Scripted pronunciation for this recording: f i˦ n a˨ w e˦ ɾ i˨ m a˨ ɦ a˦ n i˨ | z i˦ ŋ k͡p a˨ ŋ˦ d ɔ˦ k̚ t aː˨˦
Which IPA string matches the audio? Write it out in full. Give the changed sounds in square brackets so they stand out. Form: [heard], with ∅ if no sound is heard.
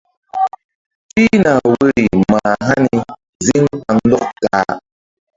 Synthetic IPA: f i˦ n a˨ w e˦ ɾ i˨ m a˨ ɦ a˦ n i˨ | z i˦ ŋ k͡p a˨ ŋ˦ d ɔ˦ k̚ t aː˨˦